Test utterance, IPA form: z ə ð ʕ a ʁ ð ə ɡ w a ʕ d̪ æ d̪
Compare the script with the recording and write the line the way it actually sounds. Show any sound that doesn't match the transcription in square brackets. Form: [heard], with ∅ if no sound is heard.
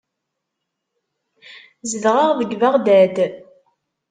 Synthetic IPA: z ə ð [ʁ] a ʁ ð ə ɡ [v] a [ʁ] d̪ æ d̪